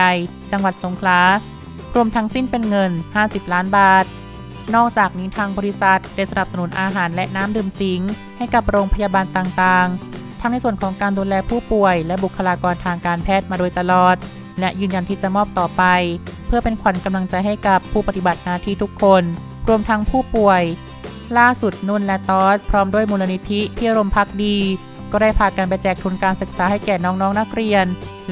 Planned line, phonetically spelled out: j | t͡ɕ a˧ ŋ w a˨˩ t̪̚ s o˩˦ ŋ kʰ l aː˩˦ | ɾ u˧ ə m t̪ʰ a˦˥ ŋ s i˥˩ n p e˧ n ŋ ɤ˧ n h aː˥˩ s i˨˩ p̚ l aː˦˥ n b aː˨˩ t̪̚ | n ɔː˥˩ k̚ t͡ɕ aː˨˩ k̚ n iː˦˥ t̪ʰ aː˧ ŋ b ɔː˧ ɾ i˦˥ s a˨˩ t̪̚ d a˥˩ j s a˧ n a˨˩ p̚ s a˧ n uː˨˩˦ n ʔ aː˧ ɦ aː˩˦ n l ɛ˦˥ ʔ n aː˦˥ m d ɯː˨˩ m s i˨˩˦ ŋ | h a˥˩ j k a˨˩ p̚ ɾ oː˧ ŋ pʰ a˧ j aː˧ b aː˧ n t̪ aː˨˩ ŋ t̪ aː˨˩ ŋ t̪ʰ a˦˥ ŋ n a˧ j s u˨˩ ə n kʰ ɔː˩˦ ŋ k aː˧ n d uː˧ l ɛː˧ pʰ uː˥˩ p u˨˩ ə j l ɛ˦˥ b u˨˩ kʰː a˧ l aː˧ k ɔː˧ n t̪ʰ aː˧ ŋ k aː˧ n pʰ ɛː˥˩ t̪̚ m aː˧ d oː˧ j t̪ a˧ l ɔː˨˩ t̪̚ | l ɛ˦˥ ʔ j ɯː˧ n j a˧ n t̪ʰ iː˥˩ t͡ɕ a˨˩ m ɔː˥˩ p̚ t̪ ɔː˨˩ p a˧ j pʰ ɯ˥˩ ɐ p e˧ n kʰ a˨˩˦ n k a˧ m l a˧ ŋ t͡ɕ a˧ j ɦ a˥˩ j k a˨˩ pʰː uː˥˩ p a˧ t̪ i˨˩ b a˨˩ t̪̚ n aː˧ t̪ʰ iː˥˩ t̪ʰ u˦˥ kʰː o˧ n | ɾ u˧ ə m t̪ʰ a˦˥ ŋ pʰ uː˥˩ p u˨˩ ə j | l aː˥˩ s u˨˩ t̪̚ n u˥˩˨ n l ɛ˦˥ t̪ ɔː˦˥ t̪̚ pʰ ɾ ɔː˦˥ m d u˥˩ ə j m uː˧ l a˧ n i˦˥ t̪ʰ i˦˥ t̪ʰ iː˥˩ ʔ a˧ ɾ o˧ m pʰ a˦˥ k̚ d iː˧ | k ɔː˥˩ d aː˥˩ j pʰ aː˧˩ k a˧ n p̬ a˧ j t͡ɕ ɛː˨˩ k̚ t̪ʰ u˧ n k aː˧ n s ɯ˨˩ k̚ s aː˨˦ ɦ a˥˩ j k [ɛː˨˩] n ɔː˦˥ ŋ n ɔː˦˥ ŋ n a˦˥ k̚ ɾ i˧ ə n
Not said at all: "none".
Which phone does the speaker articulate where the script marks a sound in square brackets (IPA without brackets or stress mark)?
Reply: ɛː˨˩